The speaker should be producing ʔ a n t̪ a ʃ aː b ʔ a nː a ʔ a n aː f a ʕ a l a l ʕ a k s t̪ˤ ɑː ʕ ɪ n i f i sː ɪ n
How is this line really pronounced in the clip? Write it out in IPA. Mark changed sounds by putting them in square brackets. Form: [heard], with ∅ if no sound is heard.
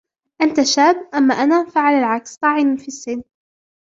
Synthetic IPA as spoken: ʔ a n t̪ a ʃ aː b ʔ a [mː] a ʔ a n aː f a ʕ a l a l ʕ a k s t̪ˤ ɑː ʕ ɪ n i f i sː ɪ n